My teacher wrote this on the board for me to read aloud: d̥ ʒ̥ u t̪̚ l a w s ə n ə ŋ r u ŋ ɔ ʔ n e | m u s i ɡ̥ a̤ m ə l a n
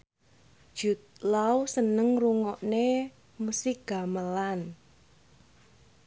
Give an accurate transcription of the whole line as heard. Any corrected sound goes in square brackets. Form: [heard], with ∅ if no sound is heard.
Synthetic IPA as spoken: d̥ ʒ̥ u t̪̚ l a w s ə n ə ŋ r u ŋ ɔ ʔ n e | m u s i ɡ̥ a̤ m ə l a n